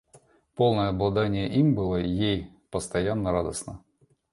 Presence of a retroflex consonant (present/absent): absent